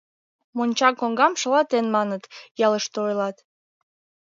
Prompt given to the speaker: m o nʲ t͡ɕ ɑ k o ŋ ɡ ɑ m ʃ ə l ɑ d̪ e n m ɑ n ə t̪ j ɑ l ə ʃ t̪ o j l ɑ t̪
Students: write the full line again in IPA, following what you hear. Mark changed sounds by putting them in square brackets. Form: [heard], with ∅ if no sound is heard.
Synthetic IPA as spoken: m o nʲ t͡ɕ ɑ k o ŋ ɡ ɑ m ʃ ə l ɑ [t̪] e n m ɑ n ə t̪ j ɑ l ə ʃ t̪ o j l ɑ t̪